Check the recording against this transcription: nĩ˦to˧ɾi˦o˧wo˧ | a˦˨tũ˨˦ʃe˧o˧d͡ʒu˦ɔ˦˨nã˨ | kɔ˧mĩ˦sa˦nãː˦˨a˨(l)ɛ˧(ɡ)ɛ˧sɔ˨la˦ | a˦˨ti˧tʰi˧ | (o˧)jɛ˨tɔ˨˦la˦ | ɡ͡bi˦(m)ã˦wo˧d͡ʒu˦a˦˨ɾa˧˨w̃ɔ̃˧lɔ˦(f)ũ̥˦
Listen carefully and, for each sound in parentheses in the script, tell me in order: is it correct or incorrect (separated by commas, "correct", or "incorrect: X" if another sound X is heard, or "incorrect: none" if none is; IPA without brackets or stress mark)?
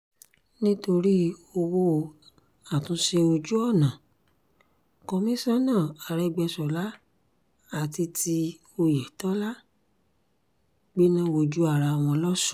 incorrect: ɾ, incorrect: ɡ͡b, correct, incorrect: n, incorrect: s